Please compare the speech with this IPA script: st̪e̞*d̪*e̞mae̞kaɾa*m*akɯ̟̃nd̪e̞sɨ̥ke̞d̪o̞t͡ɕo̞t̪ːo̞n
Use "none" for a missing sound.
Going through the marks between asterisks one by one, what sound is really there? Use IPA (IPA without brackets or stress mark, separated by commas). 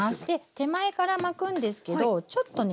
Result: t̪, m